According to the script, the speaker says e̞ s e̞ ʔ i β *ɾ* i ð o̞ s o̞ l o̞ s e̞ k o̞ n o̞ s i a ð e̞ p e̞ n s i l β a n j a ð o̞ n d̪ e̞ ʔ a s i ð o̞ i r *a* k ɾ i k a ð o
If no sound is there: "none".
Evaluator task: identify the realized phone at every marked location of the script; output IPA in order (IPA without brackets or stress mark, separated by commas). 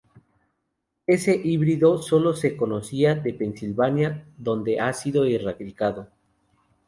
ɾ, a